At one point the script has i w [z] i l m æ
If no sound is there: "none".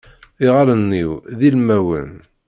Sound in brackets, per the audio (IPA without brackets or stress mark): ð